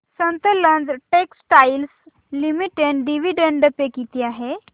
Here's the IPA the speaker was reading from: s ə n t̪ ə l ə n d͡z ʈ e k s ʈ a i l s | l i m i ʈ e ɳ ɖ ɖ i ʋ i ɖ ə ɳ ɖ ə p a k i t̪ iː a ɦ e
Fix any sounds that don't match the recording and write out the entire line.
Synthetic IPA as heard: s ə n t̪ ə l ə n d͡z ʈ e k s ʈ a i l s | l i m i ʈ e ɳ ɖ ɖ i ʋ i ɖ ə ɳ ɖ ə p e k i t̪ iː a ɦ e